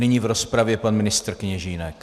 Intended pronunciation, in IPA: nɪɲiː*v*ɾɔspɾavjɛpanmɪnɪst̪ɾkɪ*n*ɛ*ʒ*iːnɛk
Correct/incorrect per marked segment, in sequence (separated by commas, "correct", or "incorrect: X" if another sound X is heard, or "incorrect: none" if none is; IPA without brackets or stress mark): correct, incorrect: ɲ, correct